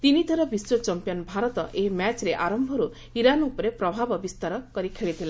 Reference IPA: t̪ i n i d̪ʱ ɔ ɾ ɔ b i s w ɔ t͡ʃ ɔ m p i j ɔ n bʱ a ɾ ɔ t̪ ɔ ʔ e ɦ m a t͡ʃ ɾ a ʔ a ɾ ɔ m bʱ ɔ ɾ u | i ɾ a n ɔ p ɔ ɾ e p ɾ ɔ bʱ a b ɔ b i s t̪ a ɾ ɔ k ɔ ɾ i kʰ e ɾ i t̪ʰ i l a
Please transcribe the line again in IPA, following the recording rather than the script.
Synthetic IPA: t̪ i n i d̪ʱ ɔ ɾ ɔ b i s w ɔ t͡ʃ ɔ m p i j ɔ n bʱ a ɾ ɔ t̪ ɔ ʔ e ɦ m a t͡ʃ ɾ e ʔ a ɾ ɔ m bʱ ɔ ɾ u | i ɾ a n u p ɔ ɾ e p ɾ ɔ bʱ a b ɔ b i s t̪ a ɾ ɔ k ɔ ɾ i kʰ e ɭ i t̪ʰ i l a